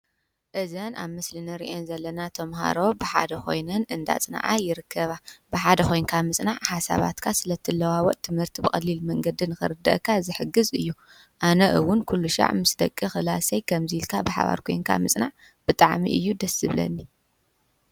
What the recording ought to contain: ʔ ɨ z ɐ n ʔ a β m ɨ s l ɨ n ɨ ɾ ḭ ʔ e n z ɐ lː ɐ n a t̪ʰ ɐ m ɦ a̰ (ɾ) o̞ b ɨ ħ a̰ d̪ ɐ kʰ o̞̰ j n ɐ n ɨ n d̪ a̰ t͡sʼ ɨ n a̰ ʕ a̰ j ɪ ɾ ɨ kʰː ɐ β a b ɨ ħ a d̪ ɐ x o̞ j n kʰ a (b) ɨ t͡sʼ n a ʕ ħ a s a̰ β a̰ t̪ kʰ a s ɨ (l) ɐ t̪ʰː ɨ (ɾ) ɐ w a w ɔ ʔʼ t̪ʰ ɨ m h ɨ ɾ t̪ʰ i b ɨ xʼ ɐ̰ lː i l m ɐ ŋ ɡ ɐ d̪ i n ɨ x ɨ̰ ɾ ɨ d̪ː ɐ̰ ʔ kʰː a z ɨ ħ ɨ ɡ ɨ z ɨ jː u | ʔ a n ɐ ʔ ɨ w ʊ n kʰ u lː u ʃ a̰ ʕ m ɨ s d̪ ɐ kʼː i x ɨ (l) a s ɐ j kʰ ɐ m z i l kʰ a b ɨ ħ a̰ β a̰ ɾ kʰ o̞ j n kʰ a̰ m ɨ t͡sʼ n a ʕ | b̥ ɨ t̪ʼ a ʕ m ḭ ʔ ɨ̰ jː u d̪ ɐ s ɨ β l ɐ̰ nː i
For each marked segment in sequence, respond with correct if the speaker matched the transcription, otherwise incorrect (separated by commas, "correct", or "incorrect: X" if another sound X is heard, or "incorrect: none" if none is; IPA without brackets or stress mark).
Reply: correct, incorrect: m, correct, incorrect: l, correct